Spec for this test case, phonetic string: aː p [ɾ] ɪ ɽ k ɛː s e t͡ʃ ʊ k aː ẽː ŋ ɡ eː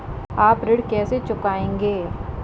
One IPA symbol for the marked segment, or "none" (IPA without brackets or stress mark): ɾ